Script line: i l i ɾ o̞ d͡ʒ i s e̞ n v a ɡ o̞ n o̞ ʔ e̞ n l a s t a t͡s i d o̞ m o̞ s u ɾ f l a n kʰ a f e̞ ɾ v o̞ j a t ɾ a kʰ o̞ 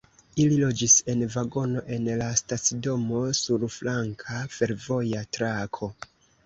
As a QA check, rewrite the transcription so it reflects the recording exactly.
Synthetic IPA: i l i l o̞ d͡ʒ i s e̞ n v a ɡ o̞ n o̞ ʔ e̞ n l a s t a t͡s i d o̞ m o̞ s u ɾ f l a ŋ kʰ a f e̞ ɾ v o̞ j a t ɾ a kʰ o̞